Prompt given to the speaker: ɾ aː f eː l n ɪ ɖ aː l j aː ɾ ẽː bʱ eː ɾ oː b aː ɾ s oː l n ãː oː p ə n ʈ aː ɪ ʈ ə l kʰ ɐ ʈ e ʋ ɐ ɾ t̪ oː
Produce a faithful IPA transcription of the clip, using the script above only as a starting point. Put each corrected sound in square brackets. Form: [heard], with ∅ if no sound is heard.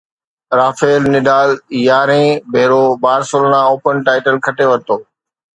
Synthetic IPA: ɾ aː f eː l n ɪ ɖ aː l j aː ɾ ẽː bʱ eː ɾ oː b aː ɾ s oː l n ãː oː p ə n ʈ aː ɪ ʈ ə l kʰ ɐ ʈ e ʋ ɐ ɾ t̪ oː